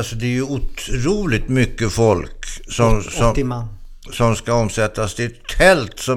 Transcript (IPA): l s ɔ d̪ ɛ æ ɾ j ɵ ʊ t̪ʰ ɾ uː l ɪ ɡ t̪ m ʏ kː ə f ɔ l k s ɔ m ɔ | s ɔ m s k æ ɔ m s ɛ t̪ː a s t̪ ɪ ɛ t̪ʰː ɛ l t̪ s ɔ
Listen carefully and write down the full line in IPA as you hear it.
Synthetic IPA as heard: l s ɔ d̪ ɛ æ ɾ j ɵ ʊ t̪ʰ ɾ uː l ɪ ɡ t̪ m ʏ kː ə f ɔ l k s ɔ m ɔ | s ɔ m s k a ɔ m s ɛ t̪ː a s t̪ ɪ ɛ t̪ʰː ɛ l t̪ s ɔ